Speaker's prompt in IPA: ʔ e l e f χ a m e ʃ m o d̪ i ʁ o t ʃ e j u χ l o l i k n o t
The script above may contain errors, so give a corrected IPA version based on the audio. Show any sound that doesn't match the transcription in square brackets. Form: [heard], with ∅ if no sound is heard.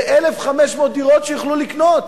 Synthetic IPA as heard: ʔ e l e f χ a m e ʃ m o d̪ i ʁ o t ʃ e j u χ l [u] l i k n o t